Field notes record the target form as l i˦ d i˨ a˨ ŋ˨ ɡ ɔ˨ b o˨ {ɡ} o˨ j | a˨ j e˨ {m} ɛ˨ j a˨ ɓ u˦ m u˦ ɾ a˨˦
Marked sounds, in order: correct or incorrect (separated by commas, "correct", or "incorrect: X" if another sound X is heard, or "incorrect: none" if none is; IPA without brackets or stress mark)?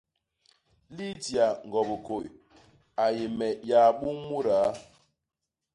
incorrect: k, correct